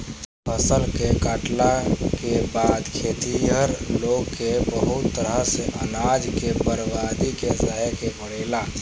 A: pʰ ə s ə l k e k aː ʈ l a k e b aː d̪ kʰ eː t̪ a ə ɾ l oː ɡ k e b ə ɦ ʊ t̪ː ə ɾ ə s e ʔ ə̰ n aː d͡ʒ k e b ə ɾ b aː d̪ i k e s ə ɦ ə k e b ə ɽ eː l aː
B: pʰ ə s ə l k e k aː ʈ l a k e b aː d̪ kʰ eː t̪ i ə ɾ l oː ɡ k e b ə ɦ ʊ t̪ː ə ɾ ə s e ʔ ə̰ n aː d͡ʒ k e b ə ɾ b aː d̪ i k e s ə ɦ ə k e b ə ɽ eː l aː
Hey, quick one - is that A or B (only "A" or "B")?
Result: B